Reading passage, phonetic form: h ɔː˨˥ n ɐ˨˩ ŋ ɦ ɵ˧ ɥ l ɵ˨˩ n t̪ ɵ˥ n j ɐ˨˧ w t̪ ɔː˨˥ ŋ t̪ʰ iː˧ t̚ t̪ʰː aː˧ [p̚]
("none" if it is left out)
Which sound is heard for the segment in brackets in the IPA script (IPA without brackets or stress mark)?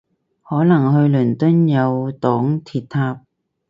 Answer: p̚